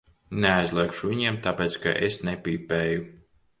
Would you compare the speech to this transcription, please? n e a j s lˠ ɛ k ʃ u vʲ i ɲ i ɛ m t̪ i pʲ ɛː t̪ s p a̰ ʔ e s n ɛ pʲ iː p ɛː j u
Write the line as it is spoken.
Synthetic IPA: n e a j z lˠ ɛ k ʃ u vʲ i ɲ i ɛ m t̪ a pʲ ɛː t̪ s k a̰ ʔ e s n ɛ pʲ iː p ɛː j u